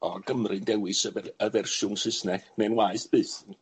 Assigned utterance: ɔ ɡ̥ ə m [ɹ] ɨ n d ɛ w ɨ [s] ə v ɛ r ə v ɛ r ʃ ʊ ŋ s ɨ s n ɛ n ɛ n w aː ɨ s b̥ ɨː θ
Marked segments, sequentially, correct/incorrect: incorrect, correct

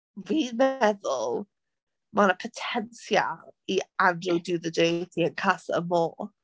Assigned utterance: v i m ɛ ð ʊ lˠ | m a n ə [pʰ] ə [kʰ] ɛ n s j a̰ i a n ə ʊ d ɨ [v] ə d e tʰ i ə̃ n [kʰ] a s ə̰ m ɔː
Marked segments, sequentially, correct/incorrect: correct, incorrect, incorrect, correct

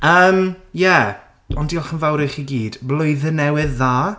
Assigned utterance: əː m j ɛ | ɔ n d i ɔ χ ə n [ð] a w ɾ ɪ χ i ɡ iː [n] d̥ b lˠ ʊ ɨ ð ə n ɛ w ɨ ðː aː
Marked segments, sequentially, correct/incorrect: incorrect, incorrect

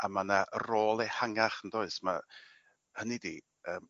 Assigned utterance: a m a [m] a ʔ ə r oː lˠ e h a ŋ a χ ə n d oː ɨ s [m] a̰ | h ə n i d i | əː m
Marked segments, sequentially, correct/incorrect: incorrect, correct

